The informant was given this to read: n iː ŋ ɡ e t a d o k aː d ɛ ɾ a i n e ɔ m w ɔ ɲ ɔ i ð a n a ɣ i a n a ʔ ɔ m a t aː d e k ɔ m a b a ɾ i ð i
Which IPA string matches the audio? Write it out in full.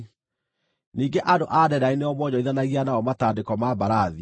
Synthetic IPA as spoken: n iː ŋ ɡ e ʔ a d o ʔ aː d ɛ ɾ a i n e ɔ m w ɔ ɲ ɔ i ð a n a ɣ i a n a ɔ m a t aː d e k ɔ m a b a ɾ a ð i